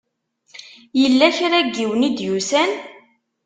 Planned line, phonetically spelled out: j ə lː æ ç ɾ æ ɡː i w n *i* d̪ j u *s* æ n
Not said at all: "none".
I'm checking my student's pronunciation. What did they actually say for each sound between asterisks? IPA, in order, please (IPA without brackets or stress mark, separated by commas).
i, s